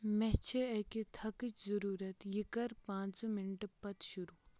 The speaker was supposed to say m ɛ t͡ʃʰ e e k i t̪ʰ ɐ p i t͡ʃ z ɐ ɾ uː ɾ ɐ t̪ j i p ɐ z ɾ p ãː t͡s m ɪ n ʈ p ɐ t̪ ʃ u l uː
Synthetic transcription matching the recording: m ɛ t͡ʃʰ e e k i t̪ʰ ɐ k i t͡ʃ z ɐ ɾ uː ɾ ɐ t̪ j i k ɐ ɾ p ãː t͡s m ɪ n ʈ p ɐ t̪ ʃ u ɾ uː